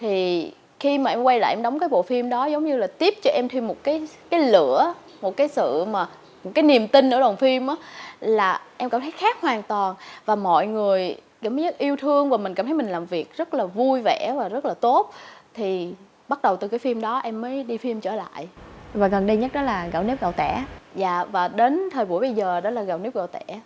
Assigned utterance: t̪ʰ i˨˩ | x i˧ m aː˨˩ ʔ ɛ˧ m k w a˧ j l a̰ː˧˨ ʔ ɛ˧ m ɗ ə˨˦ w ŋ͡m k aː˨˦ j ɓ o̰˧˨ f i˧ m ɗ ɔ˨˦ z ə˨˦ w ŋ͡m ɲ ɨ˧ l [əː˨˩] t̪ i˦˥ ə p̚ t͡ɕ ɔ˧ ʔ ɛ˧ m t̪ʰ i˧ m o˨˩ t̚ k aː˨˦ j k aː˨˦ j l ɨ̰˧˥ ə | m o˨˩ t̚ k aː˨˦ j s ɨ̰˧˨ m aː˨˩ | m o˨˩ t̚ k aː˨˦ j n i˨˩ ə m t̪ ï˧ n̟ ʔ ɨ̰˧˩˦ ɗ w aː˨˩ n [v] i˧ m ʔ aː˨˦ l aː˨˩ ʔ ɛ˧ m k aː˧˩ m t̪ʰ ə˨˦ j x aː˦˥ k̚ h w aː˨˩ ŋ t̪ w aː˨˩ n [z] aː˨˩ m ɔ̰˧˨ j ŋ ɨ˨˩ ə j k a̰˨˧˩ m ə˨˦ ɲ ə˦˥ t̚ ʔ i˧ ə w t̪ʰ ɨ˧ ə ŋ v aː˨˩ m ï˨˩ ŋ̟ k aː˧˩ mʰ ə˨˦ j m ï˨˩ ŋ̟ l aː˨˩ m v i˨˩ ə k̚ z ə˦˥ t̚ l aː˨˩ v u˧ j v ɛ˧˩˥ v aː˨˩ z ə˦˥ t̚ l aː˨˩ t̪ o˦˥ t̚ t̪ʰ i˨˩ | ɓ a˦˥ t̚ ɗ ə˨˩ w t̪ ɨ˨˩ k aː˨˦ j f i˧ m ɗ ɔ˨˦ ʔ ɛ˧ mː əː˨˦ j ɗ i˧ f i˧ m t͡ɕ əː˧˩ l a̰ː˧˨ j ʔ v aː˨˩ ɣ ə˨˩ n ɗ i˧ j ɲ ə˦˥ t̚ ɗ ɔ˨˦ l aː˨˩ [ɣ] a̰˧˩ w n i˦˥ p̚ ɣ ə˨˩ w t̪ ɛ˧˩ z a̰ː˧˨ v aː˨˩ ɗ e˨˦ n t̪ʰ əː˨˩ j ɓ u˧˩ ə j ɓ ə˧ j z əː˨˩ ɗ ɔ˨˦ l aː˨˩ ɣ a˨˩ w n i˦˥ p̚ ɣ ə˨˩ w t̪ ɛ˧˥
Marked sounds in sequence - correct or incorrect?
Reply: incorrect: aː˨˩, incorrect: f, incorrect: v, correct

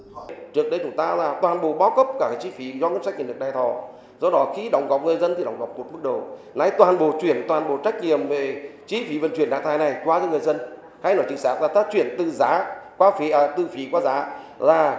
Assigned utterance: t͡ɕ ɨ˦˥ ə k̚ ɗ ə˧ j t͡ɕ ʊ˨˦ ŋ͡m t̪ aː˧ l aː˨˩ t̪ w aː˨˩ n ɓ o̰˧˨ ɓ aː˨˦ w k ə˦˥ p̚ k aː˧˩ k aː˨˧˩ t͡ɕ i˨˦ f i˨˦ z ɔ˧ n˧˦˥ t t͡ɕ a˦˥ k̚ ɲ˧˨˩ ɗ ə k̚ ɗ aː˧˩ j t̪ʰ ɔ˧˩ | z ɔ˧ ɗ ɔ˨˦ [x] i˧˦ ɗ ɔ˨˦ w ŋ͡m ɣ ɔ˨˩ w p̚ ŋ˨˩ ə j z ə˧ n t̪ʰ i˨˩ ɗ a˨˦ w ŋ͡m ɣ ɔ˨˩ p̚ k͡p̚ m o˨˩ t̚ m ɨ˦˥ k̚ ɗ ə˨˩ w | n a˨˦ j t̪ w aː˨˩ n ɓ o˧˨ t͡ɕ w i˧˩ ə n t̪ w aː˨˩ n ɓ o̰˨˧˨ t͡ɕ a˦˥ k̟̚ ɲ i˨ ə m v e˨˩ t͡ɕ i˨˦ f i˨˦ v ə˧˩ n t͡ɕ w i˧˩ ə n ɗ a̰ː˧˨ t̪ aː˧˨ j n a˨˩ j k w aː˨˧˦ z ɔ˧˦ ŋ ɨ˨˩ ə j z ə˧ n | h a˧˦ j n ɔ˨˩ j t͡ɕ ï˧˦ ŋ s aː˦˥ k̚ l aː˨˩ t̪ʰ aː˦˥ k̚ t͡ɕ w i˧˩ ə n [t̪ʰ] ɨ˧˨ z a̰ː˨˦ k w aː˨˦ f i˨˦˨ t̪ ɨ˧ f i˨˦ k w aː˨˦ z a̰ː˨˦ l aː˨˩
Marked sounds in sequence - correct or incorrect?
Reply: correct, incorrect: t̪

